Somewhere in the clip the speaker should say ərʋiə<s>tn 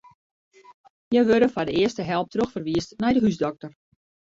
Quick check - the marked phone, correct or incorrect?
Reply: correct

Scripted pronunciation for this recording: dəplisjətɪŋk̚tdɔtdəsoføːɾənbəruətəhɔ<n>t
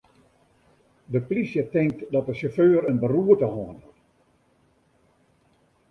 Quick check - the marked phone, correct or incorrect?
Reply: correct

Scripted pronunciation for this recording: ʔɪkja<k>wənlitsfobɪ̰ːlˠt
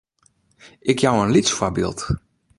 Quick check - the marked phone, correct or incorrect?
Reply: incorrect: none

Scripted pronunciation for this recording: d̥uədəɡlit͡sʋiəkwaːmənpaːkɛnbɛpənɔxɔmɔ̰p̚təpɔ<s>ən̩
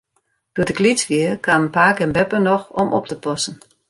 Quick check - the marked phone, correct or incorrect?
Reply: correct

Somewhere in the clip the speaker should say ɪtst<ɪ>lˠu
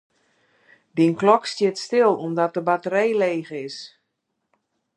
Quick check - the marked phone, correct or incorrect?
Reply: correct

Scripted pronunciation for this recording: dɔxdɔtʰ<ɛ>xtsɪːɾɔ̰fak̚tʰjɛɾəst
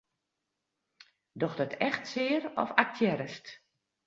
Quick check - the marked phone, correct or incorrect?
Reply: correct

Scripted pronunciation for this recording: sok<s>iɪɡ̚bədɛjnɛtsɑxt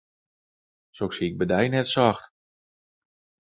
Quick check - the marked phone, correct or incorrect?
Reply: correct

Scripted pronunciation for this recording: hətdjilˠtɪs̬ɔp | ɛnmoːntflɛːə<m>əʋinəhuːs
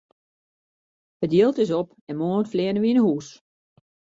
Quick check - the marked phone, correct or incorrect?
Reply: incorrect: n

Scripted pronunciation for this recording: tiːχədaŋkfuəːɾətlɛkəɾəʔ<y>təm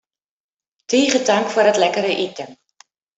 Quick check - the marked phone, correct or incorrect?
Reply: incorrect: i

